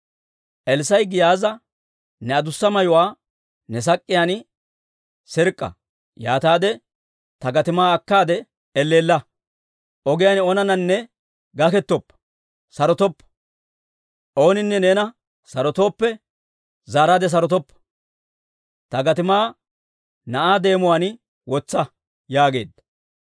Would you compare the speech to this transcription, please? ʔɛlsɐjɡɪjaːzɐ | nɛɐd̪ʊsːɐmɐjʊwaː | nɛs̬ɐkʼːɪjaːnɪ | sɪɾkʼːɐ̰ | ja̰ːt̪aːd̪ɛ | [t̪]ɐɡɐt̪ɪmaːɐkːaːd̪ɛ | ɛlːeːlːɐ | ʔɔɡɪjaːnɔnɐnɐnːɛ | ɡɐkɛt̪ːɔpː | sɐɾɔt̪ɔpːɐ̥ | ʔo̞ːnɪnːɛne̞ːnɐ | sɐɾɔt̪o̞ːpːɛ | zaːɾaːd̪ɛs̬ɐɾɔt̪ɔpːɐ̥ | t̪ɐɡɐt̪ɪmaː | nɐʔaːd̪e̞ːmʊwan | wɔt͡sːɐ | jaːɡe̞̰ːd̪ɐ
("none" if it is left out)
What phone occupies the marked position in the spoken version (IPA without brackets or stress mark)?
t̪